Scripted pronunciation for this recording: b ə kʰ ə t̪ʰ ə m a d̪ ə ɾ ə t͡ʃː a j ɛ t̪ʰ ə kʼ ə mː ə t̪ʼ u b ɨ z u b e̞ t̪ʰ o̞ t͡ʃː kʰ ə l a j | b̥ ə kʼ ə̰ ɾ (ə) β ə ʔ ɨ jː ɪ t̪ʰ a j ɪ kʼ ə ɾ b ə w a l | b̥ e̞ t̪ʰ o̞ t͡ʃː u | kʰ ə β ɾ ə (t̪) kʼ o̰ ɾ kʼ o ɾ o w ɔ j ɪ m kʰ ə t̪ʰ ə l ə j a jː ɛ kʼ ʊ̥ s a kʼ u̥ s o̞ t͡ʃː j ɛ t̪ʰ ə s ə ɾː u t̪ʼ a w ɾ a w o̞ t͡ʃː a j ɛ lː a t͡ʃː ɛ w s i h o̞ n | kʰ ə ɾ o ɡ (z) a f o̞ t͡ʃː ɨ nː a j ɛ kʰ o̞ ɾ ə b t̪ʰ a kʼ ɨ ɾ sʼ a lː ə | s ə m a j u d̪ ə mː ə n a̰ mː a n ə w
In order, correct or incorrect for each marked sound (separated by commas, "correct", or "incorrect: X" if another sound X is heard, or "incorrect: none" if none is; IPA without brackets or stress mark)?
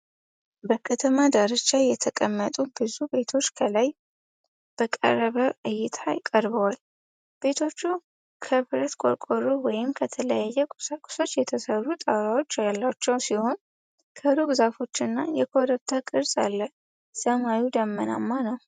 correct, correct, correct